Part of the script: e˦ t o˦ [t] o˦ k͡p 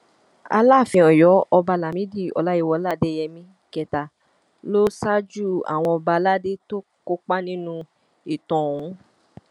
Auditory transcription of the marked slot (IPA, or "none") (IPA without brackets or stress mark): k